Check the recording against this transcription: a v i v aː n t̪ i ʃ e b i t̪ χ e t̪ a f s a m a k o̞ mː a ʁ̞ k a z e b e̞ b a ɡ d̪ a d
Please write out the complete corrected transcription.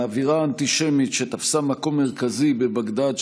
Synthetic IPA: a v i ʁ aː n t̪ i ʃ e m i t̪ ʃ e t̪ a f s a m a k o̞ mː e ʁ̞ k a z i b e̞ b a ɡ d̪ a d